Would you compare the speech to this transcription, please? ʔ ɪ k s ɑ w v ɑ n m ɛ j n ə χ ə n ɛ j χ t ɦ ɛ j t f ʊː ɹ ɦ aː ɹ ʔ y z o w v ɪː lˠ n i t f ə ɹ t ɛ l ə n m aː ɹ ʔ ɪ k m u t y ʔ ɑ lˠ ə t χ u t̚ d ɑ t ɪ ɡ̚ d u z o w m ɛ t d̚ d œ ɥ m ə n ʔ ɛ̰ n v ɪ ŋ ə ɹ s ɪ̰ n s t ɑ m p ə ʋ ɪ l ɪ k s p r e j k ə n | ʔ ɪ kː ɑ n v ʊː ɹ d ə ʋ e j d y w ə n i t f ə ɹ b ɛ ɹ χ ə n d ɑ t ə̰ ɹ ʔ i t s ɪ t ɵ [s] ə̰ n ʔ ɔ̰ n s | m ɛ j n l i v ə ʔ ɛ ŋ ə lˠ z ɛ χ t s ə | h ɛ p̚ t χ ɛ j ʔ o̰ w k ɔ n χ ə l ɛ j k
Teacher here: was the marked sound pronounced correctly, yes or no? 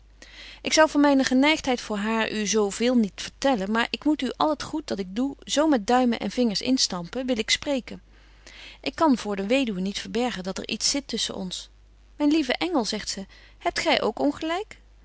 yes